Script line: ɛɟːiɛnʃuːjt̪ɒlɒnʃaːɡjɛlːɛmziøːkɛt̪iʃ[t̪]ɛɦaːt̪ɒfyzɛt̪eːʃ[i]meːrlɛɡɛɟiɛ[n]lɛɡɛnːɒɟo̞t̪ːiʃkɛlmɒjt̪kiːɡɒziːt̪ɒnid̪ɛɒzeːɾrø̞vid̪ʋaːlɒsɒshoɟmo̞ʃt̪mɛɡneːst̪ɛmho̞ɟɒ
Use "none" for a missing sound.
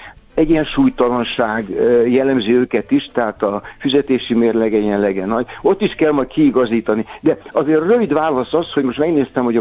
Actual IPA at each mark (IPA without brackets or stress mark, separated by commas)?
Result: t̪, i, n